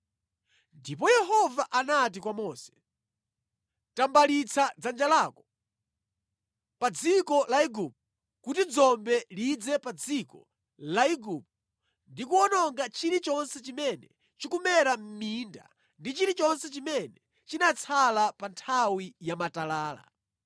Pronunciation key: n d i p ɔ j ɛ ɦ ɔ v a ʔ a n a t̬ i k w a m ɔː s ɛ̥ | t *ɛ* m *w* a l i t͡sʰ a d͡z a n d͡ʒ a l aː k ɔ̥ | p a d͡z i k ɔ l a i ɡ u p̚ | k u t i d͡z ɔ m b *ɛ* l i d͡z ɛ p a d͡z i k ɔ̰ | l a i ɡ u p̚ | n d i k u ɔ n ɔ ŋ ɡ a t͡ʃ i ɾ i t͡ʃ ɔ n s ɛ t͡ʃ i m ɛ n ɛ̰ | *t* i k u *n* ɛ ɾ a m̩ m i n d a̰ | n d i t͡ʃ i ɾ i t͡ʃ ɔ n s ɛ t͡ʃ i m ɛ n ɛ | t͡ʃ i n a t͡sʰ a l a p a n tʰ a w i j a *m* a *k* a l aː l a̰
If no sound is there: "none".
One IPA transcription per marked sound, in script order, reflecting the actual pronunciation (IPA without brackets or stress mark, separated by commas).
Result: a, b, ɛ, t͡ʃ, m, m, t